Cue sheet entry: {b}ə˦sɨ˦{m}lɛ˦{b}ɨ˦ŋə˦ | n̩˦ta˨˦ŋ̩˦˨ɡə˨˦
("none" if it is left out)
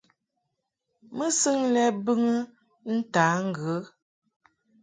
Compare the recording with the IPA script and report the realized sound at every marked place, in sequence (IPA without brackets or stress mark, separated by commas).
m, ŋ, b